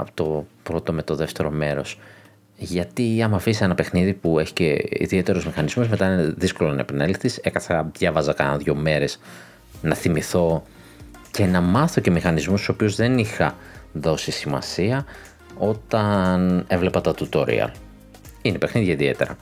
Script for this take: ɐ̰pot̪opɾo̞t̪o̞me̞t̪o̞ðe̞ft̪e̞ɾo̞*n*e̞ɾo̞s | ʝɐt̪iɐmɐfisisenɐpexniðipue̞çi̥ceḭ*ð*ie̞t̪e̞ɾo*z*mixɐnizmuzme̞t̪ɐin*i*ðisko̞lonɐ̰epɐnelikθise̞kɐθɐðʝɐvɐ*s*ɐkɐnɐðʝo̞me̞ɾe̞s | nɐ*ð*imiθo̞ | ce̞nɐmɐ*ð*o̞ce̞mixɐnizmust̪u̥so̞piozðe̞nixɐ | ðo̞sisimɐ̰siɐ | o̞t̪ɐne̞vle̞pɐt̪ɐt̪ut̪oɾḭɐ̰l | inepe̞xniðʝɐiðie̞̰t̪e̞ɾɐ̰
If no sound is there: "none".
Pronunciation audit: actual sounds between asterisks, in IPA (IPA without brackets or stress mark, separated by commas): m, ð, z, e, z, θ, θ